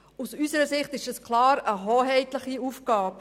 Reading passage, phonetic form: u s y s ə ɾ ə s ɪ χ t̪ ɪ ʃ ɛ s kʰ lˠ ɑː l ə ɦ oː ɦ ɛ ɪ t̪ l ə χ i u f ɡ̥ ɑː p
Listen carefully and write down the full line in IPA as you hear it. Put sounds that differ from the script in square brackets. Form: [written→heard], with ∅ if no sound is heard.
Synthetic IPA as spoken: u s y s ə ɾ ə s ɪ χ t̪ ɪ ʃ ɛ s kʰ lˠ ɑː [l→ɾ] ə ɦ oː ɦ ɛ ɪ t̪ l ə χ i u f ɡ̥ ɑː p